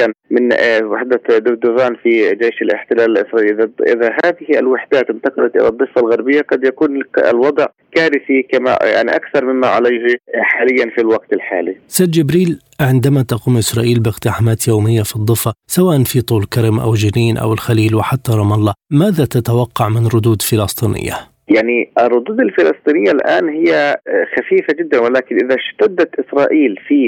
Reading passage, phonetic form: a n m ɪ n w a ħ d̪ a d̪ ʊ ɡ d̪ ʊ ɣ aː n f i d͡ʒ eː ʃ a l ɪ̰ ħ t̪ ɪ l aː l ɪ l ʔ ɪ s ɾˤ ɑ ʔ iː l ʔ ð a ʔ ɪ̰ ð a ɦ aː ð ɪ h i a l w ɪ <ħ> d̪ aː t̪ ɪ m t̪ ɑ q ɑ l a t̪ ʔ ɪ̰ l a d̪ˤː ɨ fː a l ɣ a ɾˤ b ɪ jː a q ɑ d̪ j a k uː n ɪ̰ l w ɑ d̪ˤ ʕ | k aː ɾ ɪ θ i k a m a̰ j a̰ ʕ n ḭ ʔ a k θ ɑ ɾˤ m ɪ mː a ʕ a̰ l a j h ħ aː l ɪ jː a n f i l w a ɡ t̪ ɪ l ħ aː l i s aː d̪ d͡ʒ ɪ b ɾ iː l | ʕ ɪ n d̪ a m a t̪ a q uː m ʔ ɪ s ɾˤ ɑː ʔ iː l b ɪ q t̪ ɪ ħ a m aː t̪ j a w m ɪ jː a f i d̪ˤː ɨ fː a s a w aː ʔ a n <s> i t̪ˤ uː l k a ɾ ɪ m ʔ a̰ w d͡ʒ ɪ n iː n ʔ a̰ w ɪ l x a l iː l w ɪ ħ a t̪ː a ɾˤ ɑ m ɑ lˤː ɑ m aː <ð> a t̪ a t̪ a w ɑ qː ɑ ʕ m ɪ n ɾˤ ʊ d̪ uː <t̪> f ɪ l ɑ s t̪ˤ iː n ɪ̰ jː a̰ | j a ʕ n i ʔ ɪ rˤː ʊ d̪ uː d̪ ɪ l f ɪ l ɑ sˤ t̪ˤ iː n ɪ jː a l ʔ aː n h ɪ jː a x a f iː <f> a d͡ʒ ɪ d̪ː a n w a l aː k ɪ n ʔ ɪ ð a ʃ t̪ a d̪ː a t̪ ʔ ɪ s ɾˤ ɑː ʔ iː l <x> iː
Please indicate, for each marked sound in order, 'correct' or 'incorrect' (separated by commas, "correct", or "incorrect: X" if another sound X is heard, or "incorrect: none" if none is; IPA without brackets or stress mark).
correct, incorrect: f, correct, incorrect: d̪, correct, incorrect: f